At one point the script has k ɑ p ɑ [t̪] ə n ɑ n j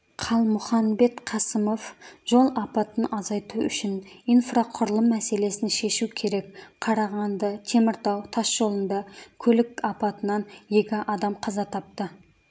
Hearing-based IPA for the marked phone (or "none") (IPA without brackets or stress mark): t̪